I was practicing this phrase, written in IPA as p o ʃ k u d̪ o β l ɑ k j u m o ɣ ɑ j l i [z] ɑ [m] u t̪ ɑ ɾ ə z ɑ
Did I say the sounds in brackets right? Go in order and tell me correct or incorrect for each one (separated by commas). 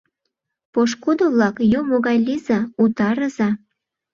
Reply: correct, incorrect